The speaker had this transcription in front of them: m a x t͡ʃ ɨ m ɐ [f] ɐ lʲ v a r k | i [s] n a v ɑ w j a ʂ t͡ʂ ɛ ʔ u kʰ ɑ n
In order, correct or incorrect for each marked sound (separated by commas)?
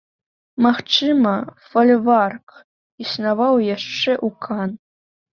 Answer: correct, correct